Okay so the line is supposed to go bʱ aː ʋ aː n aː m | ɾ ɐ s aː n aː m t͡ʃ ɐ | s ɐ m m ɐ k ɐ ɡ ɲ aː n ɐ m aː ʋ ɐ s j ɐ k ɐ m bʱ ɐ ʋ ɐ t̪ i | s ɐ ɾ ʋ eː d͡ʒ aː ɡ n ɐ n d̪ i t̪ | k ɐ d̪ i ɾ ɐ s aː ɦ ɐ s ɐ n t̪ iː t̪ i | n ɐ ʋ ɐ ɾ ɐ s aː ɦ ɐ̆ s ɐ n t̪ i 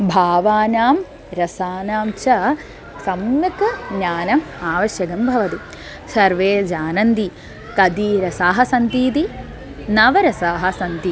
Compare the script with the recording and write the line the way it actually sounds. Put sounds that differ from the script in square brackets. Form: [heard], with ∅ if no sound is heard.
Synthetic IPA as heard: bʱ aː ʋ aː n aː m | ɾ ɐ s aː n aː m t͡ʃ ɐ | s ɐ m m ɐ k ɐ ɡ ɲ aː n ɐ m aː ʋ ɐ [ʃ] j ɐ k ɐ m bʱ ɐ ʋ ɐ t̪ i | s ɐ ɾ ʋ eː d͡ʒ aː [∅] n ɐ n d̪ i [∅] | k ɐ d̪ i ɾ ɐ s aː ɦ ɐ s ɐ n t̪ iː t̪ i | n ɐ ʋ ɐ ɾ ɐ s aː ɦ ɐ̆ s ɐ n t̪ i